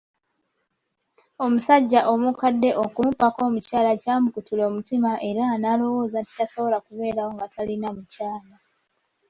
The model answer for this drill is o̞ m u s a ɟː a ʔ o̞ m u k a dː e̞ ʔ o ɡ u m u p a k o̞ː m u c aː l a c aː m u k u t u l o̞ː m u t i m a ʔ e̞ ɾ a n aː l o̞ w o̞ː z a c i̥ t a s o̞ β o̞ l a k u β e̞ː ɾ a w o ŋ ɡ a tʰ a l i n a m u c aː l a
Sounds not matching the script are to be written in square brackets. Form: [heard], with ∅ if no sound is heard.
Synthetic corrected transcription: o̞ m u s a ɟː a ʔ o̞ m u k a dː e̞ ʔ o [k] u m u p a k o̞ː m u c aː l a c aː m u k u t u l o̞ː m u t i m a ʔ e̞ ɾ a n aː l o̞ w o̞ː z a [t] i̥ t a s o̞ β o̞ l a k u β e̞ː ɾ a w o ŋ ɡ a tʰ a l i n a m u c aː l a